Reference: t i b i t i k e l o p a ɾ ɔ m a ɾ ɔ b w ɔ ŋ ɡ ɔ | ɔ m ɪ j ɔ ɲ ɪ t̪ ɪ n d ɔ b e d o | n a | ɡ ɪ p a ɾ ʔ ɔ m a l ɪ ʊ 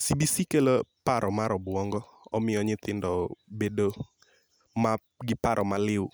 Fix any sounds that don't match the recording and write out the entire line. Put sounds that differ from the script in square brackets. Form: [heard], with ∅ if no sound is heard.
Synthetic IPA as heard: [s] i b i [s] i k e l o p a ɾ ɔ m a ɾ ɔ b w ɔ ŋ ɡ ɔ | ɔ m ɪ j ɔ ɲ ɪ t̪ ɪ n d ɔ b e d o | [m] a | ɡ ɪ p a ɾ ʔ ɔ m a l ɪ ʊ

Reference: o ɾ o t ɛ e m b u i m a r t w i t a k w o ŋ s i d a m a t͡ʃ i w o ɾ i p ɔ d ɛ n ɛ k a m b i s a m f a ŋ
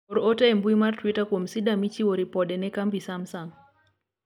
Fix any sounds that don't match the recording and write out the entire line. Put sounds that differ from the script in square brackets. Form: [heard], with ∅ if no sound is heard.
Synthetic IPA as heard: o ɾ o t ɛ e m b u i m a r t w i t a k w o [m] s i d a m [i] t͡ʃ i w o ɾ i p ɔ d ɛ n ɛ k a m b i s a m [s] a ŋ

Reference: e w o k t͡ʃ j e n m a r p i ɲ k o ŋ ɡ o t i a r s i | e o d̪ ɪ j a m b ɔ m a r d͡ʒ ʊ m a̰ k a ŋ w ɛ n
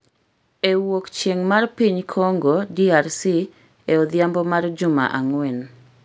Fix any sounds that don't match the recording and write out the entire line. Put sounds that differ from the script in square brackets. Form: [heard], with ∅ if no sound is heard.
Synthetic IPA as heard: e w o k t͡ʃ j e [ŋ] m a r p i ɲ [kʰ] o ŋ ɡ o [d] i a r s i | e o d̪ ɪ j a m b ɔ m a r d͡ʒ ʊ m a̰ [ʔ] a ŋ w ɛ n

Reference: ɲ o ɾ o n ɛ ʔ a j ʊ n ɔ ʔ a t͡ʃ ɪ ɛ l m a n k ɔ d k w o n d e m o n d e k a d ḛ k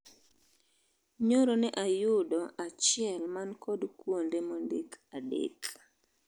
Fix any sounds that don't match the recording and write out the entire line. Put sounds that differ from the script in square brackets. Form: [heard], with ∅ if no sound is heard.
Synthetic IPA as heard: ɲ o ɾ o n ɛ ʔ a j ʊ [d] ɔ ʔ a t͡ʃ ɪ ɛ l m a n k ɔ d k w o n d e m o n d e k a d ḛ k

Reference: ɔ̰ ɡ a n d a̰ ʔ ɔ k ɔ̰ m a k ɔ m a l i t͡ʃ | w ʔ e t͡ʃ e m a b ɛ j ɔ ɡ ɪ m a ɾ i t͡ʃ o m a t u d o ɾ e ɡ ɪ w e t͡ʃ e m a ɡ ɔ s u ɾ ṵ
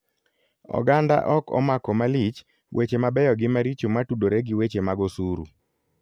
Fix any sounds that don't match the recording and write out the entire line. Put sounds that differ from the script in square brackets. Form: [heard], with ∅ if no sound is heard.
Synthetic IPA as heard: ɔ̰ ɡ a n d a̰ ʔ ɔ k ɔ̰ m a k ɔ m a l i t͡ʃ | w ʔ e t͡ʃ e m a b ɛ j ɔ ɡ ɪ m a ɾ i t͡ʃ o m a t u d o ɾ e ɡ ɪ w e t͡ʃ e m a ɡ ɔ s u ɾ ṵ

